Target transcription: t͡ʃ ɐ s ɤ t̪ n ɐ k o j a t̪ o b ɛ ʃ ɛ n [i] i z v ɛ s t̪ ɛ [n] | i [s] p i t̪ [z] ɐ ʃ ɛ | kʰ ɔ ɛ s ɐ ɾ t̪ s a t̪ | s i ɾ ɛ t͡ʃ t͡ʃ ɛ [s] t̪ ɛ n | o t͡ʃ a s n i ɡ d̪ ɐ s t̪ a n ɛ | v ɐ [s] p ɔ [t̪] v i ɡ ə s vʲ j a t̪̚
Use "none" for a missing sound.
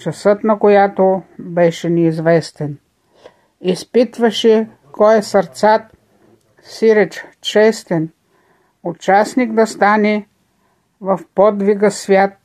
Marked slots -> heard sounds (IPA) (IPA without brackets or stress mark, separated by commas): ɛ, n, s, v, s, f, d̪